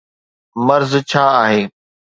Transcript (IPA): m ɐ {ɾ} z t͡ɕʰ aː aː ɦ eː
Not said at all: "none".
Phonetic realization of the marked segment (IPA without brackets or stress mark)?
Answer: ɾ